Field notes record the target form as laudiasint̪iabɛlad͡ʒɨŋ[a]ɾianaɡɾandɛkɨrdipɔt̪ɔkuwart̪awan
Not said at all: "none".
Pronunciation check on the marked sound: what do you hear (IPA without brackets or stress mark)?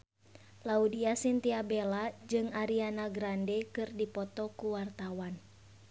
a